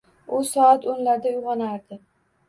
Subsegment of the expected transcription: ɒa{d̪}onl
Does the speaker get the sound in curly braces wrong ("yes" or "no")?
yes